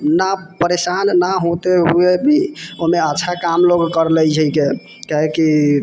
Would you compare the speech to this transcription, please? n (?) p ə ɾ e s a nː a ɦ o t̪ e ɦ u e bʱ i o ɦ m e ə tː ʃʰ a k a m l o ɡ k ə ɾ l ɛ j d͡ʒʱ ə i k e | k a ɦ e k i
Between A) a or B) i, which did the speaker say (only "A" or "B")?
A